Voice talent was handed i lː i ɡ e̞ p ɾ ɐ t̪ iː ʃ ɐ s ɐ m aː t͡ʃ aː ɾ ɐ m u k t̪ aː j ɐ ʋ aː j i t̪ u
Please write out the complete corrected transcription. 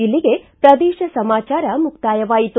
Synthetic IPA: i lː i ɡ e̞ p ɾ ɐ d̪ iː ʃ ɐ s ɐ m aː t͡ʃ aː ɾ ɐ m u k t̪ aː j ɐ ʋ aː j i t̪ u

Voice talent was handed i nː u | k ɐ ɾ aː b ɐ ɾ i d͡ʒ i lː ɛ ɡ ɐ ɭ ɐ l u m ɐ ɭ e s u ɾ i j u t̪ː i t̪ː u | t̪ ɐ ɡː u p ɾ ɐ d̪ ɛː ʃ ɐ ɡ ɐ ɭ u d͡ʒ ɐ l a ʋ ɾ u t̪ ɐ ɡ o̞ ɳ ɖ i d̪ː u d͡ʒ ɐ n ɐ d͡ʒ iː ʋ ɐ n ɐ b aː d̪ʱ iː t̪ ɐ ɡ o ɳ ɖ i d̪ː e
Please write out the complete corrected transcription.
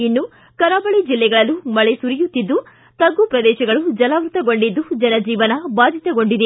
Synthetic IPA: i nː u | k ɐ ɾ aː b ɐ ɭ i d͡ʒ i lː ɛ ɡ ɐ ɭ ɐ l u m ɐ ɭ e s u ɾ i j u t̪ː i d̪ː u | t̪ ɐ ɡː u p ɾ ɐ d̪ ɛː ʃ ɐ ɡ ɐ ɭ u d͡ʒ ɐ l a ʋ ɾ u t̪ ɐ ɡ o̞ ɳ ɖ i d̪ː u d͡ʒ ɐ n ɐ d͡ʒ iː ʋ ɐ n ɐ b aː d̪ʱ i t̪ ɐ ɡ o ɳ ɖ i d̪ e

